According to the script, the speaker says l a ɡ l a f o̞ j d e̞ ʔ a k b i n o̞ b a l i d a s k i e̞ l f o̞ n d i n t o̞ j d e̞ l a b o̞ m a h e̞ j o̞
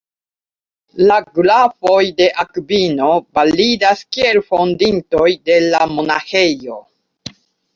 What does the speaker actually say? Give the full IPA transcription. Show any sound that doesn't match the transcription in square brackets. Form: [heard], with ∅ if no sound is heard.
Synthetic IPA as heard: l a ɡ l a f o̞ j d e̞ ʔ a k b i n o̞ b a l i d a s k i e̞ l f o̞ n d i n t o̞ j d e̞ l a [m] o̞ [n] a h e̞ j o̞